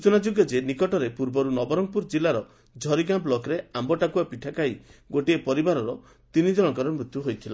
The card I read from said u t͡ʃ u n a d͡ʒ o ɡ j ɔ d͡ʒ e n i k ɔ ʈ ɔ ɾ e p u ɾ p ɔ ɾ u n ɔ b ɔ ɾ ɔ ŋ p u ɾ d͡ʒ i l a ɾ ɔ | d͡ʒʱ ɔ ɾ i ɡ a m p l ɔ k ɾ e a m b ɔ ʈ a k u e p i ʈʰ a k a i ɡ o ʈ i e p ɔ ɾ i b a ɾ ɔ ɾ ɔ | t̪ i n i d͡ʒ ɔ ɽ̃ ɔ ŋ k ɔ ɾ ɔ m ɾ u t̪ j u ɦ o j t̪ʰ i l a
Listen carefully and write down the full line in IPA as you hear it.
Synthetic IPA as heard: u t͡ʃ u n a d͡ʒ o ɡ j ɔ d͡ʒ e n i k ɔ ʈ ɔ ɾ e p u ɾ b ɔ ɾ u n ɔ b ɔ ɾ ɔ ŋ p u ɾ d͡ʒ i l a ɾ ɔ | d͡ʒʱ ɔ ɾ i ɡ a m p l ɔ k ɾ e a m b ɔ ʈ a k u a p i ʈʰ a k a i ɡ o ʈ i e p ɔ ɾ i b a ɾ ɔ ɾ ɔ | t̪ i n i d͡ʒ ɔ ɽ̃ ɔ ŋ k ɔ ɾ ɔ m ɾ u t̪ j u ɦ o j t̪ʰ i l a

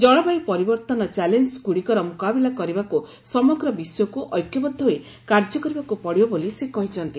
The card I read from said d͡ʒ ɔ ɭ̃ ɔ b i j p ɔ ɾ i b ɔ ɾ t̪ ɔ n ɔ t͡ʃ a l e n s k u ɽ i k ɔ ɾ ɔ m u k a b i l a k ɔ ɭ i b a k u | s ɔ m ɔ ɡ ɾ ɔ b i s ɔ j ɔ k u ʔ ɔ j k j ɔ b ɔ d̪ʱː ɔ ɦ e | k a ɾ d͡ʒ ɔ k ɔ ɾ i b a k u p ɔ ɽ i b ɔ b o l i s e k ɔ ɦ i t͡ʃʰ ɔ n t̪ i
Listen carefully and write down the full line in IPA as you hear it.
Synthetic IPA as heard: d͡ʒ ɔ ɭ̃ ɔ b a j p ɔ ɾ i b ɔ ɾ t̪ ɔ n ɔ t͡ʃ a l e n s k u ɽ i k ɔ ɾ ɔ m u k a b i l a k ɔ ɾ i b a k u | s ɔ m ɔ ɡ ɾ ɔ b i s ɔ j ɔ k u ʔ ɔ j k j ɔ b ɔ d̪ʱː ɔ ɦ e | k a ɾ d͡ʒ ɔ k ɔ ɾ i b a k u p ɔ ɽ i b ɔ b o l i s e k ɔ ɦ i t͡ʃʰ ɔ n t̪ i

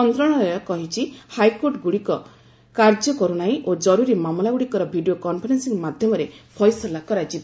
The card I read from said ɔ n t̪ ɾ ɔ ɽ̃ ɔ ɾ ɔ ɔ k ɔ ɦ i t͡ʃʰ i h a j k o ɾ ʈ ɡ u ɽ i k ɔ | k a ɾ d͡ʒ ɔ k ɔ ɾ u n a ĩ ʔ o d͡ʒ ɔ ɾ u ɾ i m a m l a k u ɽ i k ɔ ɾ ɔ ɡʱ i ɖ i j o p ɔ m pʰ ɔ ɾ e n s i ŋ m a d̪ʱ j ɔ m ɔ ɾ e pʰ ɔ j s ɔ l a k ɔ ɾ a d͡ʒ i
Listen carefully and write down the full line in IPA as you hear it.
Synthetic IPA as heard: ɔ n t̪ ɾ ɔ ɽ̃ ɔ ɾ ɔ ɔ k ɔ ɦ i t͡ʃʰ i h a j k o ɾ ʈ ɡ u ɽ i k ɔ | k a ɾ d͡ʒ ɔ k ɔ ɾ u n a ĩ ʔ o d͡ʒ ɔ ɾ u ɾ i m a m l a ɡ u ɽ i k ɔ ɾ ɔ bʱ i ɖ i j o k ɔ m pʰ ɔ ɾ e n s i ŋ m a d̪ʱ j ɔ m ɔ ɾ e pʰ ɔ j s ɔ l a k ɔ ɾ a d͡ʒ i

